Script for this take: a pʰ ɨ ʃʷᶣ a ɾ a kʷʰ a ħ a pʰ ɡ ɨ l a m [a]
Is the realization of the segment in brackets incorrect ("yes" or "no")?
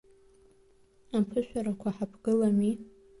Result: yes